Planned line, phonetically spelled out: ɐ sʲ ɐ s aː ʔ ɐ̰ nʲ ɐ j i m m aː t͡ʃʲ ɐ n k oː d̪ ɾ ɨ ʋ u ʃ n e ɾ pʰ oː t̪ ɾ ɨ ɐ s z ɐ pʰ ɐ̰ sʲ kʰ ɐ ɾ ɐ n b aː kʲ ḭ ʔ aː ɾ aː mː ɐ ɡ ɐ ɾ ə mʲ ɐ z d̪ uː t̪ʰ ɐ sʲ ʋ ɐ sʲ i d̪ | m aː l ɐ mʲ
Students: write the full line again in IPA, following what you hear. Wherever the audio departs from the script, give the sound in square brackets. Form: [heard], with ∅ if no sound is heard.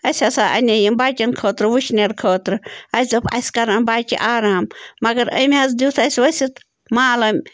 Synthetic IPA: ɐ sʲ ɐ s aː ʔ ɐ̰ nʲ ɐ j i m [b] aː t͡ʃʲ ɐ n [kʰ] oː [t̪] ɾ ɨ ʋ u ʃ n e ɾ [kʰ] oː t̪ ɾ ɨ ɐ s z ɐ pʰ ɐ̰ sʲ [k] ɐ ɾ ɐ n b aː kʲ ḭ ʔ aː ɾ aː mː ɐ ɡ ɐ ɾ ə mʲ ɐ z d̪ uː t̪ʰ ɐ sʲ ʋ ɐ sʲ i [t̪] | m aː l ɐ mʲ